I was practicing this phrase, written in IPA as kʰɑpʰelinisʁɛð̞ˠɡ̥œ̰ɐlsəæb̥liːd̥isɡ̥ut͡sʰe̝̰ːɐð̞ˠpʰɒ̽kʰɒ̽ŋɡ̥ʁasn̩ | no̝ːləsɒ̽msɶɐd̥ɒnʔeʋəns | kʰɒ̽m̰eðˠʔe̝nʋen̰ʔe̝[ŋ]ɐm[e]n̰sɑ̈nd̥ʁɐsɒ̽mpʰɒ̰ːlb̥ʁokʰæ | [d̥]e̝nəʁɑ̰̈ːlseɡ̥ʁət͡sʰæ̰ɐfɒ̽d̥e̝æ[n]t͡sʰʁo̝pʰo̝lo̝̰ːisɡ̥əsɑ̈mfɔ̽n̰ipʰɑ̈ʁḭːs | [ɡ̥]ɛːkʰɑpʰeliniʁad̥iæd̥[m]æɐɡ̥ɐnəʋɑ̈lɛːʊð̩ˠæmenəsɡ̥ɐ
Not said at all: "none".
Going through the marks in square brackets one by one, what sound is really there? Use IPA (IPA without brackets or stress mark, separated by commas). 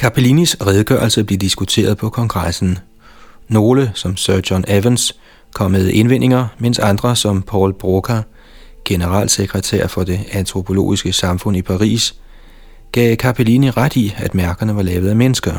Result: ŋ, e, ɡ̥, n, ɡ̥, m